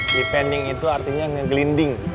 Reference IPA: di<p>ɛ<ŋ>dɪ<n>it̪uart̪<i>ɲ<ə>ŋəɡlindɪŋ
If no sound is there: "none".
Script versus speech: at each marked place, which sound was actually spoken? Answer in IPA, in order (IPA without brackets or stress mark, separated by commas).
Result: p, n, ŋ, i, a